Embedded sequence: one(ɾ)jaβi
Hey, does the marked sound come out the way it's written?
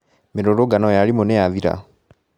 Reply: no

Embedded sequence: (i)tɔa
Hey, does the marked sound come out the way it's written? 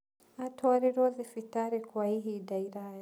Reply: no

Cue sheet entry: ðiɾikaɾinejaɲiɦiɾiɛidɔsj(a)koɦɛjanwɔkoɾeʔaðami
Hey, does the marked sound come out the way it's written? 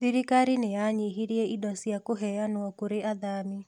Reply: yes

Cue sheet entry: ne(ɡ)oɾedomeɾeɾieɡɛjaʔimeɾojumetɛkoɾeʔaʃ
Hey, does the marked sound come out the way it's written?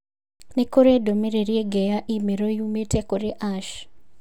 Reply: no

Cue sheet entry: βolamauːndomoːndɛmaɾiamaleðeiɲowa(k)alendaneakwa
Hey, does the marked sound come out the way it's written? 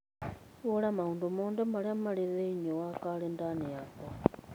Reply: yes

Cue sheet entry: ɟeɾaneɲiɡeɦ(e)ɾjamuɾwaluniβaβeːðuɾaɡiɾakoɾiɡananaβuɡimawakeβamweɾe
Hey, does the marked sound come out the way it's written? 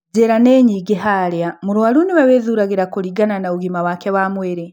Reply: no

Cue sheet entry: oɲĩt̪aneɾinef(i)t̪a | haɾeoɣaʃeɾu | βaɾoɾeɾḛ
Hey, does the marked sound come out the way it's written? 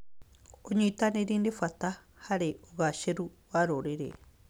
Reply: no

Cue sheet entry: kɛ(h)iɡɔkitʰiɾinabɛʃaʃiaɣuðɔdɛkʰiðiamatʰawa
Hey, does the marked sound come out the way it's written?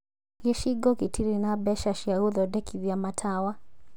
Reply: no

